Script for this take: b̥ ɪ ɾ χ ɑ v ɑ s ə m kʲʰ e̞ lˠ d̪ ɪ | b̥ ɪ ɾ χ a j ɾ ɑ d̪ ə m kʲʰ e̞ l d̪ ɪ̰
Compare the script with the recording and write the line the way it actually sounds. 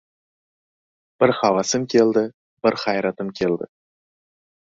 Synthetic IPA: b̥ ɪ ɾ χ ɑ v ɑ s ə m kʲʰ e̞ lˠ d̪ ɪ | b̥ ɪ ɾ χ ɑ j ɾ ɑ t̪ ə m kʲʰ e̞ l d̪ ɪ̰